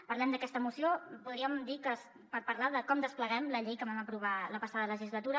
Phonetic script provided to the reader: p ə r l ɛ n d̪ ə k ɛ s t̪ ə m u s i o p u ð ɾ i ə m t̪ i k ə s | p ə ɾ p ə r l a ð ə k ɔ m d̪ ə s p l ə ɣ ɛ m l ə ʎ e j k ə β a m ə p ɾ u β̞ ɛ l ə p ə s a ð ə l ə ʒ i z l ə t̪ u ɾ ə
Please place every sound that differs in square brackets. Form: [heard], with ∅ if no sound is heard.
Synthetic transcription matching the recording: p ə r l ɛ [m] d̪ ə k ɛ s t̪ ə m u s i o p u ð ɾ i ə m [d̪] i k ə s | p ə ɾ p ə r l a ð ə k ɔ m d̪ ə s p l ə ɣ ɛ m l ə ʎ e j k ə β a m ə p ɾ u β̞ [a] l ə p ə s a ð ə l ə ʒ i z l ə t̪ u ɾ ə